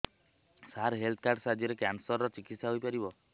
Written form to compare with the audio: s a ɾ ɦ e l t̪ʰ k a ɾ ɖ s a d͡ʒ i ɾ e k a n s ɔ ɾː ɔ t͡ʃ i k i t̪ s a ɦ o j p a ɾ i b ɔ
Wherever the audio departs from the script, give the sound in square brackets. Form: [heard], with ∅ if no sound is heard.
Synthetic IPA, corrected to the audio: s a ɾ ɦ e l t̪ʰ k a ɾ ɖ s a d͡ʒ i ɾ e k a n s ɔ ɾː ɔ t͡ʃ i k i t̪ s a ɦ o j p a ɾ i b ɔ